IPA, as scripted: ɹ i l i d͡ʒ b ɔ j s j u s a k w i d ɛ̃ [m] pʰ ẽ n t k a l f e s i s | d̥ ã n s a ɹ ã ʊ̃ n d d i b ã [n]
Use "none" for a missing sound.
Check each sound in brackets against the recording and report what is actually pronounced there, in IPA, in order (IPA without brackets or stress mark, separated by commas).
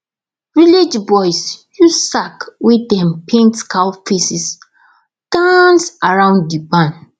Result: m, n